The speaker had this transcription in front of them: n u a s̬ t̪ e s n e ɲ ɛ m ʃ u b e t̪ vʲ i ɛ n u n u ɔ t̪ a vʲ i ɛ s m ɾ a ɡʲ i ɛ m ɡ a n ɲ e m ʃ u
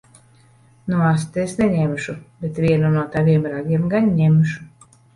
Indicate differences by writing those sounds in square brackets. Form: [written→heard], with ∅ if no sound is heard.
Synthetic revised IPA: n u a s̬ t̪ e s n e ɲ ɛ m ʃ u b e t̪ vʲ i ɛ n u n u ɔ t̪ a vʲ i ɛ [s→∅] m ɾ a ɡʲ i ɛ m ɡ a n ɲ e m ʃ u